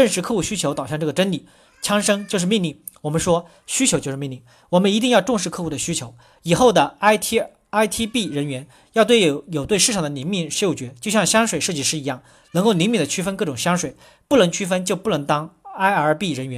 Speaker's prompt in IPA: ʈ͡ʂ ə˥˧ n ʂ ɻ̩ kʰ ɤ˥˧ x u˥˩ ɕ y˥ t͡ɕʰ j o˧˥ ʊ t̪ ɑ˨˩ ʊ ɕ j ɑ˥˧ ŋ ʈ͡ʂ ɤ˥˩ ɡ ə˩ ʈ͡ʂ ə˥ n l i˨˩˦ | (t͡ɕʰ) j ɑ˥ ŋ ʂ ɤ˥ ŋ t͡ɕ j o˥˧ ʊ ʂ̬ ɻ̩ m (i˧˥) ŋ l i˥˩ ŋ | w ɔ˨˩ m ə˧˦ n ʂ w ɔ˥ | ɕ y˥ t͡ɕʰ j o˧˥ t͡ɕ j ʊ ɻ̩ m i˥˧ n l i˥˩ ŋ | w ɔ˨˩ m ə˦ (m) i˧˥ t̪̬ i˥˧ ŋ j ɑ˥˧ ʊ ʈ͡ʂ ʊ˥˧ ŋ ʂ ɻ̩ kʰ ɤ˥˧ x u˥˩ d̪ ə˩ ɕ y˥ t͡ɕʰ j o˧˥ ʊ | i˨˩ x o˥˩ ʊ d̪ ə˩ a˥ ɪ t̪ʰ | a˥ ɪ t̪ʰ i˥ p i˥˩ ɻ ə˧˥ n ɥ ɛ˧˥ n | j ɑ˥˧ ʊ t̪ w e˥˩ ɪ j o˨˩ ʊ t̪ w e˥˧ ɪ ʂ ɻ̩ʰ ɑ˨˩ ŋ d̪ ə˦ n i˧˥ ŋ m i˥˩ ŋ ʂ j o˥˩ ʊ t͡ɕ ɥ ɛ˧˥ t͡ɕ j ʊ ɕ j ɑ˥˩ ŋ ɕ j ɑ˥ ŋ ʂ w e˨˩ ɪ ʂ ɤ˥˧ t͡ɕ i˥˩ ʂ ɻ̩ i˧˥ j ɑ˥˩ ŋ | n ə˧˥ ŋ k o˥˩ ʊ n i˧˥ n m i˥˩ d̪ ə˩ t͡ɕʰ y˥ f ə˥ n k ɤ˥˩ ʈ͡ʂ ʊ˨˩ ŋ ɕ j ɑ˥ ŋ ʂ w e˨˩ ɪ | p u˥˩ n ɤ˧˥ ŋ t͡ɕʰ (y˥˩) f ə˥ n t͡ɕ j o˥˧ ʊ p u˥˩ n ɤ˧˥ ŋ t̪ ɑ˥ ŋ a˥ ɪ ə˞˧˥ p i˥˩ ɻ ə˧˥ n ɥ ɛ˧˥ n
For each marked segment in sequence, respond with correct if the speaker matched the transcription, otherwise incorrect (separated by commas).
correct, incorrect, incorrect, incorrect